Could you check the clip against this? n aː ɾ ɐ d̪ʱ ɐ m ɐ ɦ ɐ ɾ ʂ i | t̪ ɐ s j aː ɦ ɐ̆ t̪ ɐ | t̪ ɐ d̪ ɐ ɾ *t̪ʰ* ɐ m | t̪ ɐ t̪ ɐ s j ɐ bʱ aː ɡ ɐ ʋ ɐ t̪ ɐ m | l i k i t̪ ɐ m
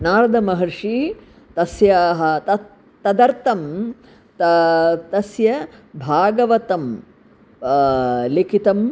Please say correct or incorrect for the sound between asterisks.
incorrect